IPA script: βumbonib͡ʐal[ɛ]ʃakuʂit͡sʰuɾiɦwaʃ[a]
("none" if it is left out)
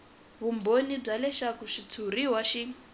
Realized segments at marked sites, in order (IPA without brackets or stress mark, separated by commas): ɛ, i